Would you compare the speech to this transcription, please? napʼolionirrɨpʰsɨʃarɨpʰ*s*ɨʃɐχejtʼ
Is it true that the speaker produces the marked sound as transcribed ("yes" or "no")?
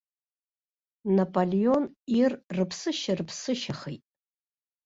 yes